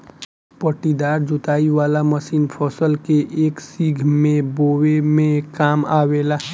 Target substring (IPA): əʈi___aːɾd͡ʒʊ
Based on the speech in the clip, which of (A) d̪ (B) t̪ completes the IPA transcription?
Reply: A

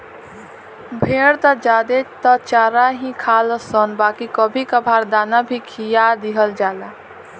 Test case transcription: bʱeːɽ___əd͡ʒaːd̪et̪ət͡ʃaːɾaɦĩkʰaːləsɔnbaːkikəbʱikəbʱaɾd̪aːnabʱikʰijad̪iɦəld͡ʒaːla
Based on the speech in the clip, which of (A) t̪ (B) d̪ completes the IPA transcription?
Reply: A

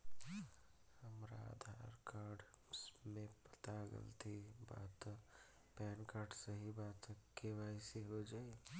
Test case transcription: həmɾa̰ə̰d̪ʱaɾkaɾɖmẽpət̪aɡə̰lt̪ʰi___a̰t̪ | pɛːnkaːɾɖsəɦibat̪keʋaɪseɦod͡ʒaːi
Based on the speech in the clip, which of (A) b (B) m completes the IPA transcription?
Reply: A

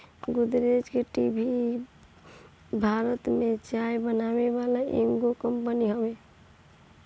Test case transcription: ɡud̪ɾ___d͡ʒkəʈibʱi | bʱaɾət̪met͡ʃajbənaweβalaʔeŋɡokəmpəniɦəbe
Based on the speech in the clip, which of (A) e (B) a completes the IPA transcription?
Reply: A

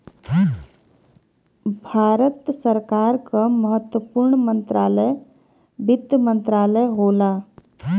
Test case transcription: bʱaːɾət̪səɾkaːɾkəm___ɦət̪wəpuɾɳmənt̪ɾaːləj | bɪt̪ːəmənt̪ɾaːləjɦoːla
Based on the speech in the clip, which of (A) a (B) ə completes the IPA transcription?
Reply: B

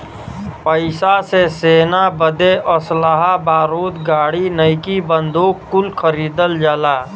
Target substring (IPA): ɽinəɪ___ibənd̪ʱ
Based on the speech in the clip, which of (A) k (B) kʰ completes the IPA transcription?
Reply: A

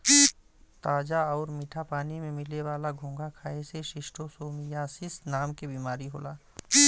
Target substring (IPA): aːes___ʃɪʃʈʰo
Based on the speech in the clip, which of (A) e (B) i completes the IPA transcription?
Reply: A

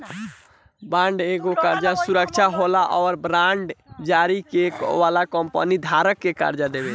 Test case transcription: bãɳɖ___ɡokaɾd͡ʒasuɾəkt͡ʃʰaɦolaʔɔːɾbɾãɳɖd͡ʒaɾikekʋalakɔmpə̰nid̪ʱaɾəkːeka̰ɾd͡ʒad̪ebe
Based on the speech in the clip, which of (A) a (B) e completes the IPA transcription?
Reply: B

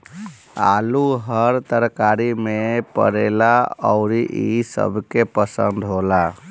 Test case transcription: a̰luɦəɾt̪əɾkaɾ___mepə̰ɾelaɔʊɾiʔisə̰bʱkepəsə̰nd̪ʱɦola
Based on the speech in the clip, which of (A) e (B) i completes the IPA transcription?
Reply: B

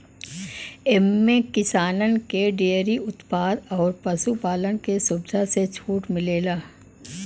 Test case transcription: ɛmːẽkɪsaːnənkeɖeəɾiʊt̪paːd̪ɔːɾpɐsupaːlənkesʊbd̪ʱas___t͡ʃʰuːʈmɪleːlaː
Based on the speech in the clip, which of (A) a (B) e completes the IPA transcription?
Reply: B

